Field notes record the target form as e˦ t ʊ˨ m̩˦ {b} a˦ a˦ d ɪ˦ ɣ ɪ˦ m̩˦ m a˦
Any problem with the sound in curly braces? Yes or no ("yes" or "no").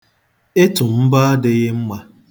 no